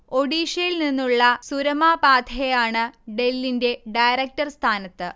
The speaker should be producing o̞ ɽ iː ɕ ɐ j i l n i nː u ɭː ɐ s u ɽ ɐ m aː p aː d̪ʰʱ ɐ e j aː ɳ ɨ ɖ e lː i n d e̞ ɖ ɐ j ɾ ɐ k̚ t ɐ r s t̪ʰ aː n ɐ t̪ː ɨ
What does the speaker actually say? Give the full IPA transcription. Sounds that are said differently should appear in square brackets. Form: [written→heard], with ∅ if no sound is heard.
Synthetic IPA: o̞ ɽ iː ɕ ɐ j i l n i nː u ɭː ɐ s u [ɽ→ɾ] ɐ m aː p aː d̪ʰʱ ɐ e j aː ɳ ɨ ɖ e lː i n d e̞ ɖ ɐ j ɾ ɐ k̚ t ɐ r s t̪ʰ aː n ɐ t̪ː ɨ